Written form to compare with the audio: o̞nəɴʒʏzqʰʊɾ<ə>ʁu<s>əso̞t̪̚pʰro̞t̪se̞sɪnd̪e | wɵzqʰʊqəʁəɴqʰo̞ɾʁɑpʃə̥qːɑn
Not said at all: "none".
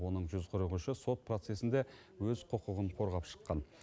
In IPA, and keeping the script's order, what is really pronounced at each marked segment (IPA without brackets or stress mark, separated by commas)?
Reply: ə, ʃ